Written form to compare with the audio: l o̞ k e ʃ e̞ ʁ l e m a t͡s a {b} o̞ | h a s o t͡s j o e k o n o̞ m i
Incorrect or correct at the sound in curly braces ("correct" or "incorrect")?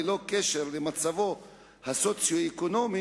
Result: incorrect